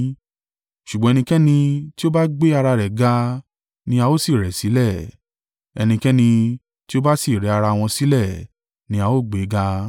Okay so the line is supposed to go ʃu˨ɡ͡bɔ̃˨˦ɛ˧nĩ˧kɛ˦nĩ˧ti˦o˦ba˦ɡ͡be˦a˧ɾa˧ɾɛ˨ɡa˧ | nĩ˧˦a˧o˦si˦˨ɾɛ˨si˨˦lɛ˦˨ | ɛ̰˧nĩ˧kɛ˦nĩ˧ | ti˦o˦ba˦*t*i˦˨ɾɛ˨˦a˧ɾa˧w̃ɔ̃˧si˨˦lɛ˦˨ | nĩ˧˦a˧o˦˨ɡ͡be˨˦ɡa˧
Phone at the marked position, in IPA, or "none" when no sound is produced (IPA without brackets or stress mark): s